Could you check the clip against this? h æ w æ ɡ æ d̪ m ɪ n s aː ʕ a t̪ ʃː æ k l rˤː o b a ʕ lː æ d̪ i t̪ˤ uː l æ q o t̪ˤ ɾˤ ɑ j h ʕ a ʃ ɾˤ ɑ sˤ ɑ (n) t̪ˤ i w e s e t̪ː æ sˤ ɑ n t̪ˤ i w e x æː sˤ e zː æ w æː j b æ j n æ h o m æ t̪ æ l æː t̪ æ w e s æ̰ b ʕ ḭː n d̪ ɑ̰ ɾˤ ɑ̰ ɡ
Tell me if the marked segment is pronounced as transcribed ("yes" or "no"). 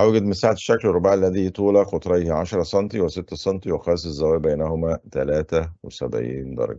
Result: yes